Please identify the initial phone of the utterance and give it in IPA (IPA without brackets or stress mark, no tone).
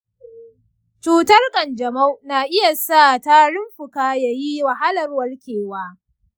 t͡ʃ